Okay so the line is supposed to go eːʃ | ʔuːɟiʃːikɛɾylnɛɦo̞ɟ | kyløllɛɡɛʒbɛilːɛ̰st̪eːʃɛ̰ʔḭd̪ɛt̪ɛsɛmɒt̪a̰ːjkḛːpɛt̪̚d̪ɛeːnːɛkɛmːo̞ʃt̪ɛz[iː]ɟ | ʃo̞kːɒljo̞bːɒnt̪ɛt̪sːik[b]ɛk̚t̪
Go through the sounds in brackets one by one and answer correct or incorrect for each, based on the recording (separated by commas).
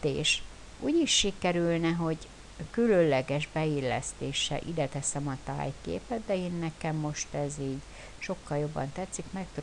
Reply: correct, incorrect